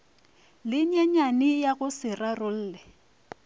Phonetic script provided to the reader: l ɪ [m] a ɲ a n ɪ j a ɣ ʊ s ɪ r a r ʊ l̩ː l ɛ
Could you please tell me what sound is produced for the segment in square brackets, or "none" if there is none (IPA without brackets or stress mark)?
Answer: ɲ